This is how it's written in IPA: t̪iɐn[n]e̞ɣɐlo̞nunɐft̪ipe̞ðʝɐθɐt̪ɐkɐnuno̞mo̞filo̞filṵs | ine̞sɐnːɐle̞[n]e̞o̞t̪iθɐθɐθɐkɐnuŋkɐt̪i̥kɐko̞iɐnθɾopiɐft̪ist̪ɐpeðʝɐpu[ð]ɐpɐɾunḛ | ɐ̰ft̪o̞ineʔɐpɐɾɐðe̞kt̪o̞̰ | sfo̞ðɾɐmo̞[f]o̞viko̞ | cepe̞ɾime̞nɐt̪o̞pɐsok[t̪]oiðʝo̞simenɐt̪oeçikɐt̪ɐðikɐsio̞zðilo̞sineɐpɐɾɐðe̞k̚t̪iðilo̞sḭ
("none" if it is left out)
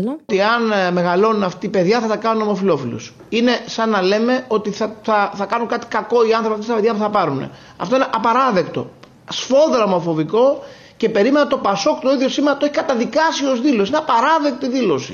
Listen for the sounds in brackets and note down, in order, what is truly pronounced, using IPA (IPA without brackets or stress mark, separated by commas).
m, m, θ, f, t̪